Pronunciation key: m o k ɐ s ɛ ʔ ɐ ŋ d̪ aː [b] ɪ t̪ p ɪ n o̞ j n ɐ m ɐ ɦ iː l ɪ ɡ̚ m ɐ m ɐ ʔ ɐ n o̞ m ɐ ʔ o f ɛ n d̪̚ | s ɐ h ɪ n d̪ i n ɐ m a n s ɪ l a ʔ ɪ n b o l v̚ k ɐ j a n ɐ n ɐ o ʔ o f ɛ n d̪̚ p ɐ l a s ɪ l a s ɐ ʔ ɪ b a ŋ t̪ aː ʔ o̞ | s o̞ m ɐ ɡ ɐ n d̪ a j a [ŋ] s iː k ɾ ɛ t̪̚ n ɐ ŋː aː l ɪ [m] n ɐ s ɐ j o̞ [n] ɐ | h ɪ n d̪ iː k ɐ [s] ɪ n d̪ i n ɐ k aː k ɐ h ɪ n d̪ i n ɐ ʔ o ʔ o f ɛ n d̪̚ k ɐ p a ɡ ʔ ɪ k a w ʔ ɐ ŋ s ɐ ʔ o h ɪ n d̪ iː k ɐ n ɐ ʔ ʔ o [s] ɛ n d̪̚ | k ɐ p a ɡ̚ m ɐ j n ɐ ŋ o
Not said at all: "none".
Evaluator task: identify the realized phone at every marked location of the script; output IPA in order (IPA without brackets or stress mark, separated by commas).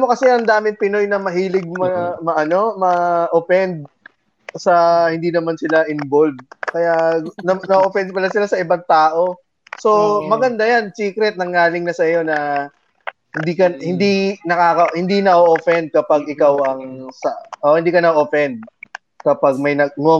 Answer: m, n, ŋ, n, h, f